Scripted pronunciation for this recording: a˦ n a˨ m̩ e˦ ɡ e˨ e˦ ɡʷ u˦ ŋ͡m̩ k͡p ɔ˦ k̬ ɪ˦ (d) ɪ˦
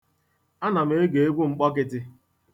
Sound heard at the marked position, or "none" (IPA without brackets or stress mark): t